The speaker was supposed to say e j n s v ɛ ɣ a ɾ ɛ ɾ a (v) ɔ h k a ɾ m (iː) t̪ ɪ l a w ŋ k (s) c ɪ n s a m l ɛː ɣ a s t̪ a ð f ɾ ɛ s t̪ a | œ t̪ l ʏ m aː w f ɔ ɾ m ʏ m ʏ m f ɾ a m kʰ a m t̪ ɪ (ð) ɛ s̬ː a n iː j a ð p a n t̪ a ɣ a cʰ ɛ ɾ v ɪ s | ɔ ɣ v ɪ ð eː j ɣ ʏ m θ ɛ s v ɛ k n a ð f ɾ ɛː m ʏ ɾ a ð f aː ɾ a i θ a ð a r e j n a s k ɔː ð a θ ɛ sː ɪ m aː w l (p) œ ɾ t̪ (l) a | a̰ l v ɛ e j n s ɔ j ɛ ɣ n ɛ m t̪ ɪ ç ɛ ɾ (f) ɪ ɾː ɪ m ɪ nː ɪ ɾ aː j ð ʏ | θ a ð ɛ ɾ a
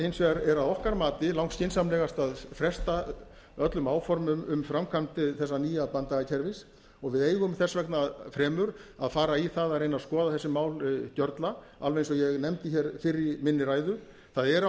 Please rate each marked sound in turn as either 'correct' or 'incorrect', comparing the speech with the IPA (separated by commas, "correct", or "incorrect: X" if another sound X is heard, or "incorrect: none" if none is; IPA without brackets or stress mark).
incorrect: ð, incorrect: aː, correct, incorrect: θ, incorrect: c, correct, correct